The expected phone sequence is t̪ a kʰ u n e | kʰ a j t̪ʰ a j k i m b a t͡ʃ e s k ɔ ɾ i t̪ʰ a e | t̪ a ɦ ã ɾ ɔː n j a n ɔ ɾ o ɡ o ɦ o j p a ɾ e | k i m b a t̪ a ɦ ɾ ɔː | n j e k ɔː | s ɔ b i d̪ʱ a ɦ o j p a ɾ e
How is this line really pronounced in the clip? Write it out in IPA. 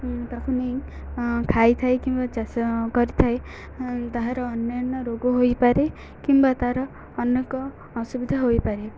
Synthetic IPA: t̪ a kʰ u n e | kʰ a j t̪ʰ a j k i m b a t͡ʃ a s k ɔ ɾ i t̪ʰ a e | t̪ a ɦ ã ɾ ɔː n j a n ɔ ɾ o ɡ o ɦ o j p a ɾ e | k i m b a t̪ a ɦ ɾ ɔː | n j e k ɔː | s u b i d̪ʱ a ɦ o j p a ɾ e